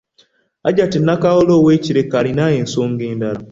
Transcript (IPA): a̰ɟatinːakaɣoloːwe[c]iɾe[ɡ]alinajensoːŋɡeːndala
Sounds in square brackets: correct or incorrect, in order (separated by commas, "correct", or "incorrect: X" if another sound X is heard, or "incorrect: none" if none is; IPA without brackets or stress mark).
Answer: correct, incorrect: k